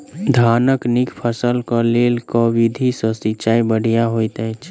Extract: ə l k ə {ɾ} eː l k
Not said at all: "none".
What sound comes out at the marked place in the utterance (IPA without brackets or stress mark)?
l